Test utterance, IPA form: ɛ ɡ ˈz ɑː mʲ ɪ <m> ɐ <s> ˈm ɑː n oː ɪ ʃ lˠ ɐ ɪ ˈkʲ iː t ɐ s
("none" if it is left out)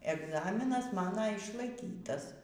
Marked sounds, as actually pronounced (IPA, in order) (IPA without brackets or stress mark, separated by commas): n, s